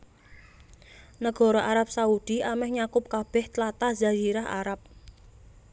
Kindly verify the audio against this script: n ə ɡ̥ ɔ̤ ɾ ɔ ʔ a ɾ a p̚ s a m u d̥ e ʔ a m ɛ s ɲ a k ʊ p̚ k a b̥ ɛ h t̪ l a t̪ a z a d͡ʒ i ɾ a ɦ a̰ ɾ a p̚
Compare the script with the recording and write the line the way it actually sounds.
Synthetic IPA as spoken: n ə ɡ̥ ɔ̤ ɾ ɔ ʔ a ɾ a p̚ s a u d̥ i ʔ a m ɛ h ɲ a k ʊ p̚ k a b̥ ɛ h t̪ l a t̪ a z a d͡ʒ i ɾ a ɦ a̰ ɾ a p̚